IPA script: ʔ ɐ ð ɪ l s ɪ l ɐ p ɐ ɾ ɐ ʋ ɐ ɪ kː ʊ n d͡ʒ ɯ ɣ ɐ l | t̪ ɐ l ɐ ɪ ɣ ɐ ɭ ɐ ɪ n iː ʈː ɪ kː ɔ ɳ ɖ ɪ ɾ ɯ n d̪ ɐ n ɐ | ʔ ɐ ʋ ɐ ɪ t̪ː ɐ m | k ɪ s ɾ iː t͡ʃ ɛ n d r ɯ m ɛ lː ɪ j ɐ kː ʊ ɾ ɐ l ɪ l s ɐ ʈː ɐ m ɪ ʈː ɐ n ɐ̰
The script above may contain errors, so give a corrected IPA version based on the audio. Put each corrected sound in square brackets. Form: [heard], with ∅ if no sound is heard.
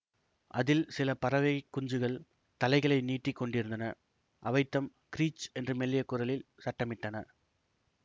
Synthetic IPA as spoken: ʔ ɐ ð ɪ l s ɪ l ɐ p ɐ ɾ ɐ ʋ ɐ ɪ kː ʊ [ɲ] d͡ʒ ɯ ɣ ɐ [ɭ] | t̪ ɐ l ɐ ɪ ɣ ɐ ɭ ɐ ɪ n iː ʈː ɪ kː ɔ ɳ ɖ ɪ ɾ ɯ n d̪ ɐ n ɐ | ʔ ɐ ʋ ɐ ɪ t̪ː ɐ m | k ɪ [∅] ɾ iː t͡ʃ ɛ n d r ɯ m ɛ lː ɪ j ɐ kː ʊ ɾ ɐ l ɪ l s ɐ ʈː ɐ m ɪ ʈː ɐ n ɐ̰